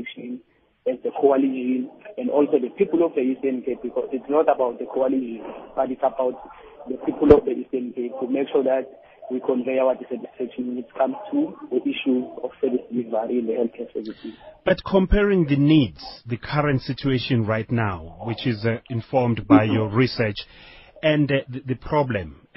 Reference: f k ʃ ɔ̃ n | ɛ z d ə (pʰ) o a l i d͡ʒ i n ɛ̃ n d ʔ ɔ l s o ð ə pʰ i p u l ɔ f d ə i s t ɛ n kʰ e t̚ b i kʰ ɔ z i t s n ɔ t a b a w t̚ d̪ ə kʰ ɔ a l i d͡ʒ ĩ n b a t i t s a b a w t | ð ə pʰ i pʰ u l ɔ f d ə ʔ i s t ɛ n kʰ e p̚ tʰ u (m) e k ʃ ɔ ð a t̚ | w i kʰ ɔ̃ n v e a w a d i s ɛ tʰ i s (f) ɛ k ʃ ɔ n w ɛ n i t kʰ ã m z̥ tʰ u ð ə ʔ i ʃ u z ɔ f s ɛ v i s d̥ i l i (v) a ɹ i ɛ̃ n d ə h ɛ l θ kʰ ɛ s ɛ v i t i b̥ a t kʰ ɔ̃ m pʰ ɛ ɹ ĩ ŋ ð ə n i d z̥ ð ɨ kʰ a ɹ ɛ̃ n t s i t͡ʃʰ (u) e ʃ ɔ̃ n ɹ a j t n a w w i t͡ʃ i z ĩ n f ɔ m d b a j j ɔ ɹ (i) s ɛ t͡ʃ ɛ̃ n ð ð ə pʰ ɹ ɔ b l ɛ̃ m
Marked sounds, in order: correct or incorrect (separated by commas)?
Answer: incorrect, correct, correct, correct, correct, correct